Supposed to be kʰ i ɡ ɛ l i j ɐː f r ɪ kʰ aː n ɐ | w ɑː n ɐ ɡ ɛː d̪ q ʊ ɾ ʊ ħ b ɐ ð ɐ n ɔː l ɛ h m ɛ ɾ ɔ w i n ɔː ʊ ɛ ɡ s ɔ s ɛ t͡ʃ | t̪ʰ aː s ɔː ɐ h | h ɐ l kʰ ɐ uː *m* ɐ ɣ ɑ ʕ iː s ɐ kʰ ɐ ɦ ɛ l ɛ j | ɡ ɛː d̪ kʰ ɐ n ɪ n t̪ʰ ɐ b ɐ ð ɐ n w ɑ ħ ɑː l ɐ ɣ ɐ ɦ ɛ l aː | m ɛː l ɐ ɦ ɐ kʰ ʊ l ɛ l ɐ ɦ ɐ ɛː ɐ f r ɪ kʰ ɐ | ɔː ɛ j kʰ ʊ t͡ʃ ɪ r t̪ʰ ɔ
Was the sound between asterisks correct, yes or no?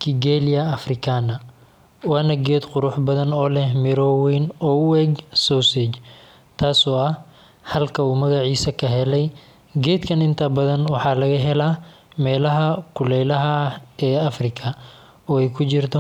yes